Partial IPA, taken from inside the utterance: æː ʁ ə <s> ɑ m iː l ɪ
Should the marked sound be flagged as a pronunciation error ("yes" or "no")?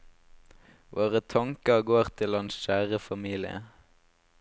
yes